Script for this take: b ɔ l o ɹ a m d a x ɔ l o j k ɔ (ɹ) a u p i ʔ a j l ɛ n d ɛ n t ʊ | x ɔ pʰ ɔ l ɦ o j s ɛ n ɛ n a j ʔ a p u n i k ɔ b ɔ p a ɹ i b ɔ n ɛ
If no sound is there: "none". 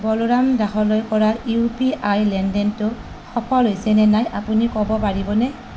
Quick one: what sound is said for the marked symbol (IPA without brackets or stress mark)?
ɹ